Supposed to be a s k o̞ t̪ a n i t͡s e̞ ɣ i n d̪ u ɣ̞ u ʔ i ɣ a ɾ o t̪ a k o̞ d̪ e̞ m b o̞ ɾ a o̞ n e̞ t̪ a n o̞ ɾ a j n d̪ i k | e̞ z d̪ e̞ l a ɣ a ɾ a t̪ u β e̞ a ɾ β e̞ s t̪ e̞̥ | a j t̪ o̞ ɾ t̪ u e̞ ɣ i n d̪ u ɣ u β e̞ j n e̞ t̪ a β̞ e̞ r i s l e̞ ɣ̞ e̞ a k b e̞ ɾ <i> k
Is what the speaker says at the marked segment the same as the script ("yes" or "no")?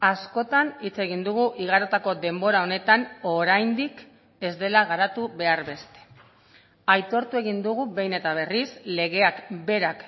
no